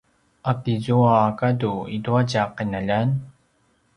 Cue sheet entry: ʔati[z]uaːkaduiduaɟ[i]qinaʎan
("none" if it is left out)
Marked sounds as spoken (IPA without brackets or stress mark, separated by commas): z, a